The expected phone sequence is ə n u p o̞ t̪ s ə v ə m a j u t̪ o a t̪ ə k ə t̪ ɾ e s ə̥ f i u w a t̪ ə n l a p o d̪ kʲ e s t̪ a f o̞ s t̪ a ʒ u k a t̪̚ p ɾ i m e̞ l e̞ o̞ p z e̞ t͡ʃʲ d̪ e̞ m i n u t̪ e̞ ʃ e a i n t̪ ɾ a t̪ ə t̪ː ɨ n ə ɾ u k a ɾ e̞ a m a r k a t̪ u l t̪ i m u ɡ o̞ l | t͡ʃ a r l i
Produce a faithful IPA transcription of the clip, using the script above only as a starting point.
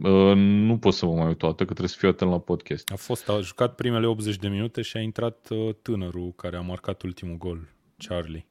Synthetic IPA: ə n u p o̞ t̪ s ə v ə m a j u t̪ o a t̪ ə k ə t̪ ɾ e s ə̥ f i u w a t̪ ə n l a p o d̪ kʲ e s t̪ a f o̞ s t̪ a ʒ u k a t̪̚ p ɾ i m e̞ l e̞ o̞ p z e̞ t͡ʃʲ d̪ e̞ m i n u t̪ e̞ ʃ i a i n t̪ ɾ a t̪ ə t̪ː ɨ n ə ɾ u k a ɾ e̞ a m a r k a t̪ u l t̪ i m u ɡ o̞ l | t͡ʃ a r l i